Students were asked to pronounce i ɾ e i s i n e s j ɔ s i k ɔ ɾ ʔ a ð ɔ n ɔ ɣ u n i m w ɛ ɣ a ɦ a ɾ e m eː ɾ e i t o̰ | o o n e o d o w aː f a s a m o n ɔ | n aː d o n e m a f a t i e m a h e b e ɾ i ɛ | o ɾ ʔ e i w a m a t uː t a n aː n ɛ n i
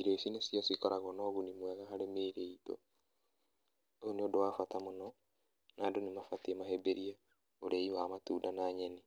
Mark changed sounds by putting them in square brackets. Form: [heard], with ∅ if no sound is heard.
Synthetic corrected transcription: i ɾ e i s i n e s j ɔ s i k ɔ ɾ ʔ a [ɣ] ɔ n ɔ ɣ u n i m w ɛ ɣ a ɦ a ɾ e m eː ɾ e i t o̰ | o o n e o d o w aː f a [t] a m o n ɔ | n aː d o n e m a f a t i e m a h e b e ɾ i [a] | o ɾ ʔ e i w a m a t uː [d] a n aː [ɲ] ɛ n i